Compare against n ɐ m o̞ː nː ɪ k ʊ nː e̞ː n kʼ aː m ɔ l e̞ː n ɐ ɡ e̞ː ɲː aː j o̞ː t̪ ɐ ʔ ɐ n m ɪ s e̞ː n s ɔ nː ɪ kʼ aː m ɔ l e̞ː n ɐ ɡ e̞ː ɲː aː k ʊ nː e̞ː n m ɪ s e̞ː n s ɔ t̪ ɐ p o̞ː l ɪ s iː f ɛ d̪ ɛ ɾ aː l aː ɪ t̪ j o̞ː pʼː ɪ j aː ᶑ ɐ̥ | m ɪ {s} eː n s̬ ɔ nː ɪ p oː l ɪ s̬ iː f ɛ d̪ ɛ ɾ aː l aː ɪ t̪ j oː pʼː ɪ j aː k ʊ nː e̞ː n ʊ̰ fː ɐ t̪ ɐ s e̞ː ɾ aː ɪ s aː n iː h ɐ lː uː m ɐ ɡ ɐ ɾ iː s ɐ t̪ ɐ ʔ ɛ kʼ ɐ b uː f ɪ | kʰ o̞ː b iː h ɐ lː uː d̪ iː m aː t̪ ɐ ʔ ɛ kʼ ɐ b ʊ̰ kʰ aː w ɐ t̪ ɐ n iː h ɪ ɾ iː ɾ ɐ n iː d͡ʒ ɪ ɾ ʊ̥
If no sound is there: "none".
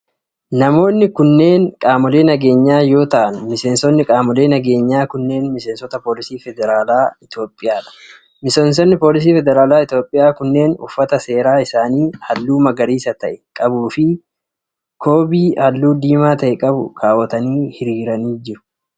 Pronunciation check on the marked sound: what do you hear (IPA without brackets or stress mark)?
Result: s